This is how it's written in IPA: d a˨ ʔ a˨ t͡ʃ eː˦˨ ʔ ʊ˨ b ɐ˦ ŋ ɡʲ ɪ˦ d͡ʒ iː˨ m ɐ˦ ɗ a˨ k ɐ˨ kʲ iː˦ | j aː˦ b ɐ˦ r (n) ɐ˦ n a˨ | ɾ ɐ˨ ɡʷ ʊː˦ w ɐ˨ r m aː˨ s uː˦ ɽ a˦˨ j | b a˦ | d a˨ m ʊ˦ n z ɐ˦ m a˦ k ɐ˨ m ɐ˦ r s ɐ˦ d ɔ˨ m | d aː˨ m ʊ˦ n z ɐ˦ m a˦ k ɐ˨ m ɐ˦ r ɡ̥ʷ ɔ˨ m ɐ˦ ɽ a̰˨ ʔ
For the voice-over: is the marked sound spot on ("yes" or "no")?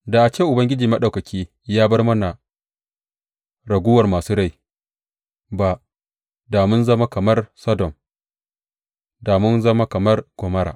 no